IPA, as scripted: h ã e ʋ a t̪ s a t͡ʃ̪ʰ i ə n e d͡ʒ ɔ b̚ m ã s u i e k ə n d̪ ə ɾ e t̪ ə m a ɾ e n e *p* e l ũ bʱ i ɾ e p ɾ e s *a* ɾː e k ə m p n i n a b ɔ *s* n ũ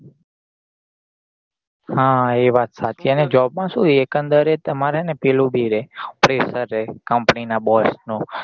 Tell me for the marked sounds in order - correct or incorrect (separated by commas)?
correct, incorrect, correct